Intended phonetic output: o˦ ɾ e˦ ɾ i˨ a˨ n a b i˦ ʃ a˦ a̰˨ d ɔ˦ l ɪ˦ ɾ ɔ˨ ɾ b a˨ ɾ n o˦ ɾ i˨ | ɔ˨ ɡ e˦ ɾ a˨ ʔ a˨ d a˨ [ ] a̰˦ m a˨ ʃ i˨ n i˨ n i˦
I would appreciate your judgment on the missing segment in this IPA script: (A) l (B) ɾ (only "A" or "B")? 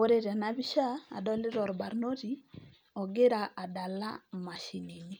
A